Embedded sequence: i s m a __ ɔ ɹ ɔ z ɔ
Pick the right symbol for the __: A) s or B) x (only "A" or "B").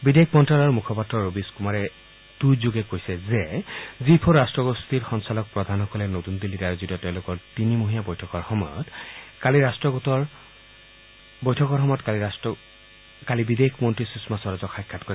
A